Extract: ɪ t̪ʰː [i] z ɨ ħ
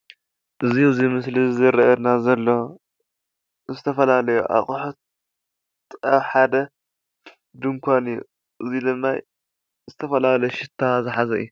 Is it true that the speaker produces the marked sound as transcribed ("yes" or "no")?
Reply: no